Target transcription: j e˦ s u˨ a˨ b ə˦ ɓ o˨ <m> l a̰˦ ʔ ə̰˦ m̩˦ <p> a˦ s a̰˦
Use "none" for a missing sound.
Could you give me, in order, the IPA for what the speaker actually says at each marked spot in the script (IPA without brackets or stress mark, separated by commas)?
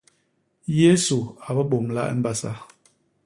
m, b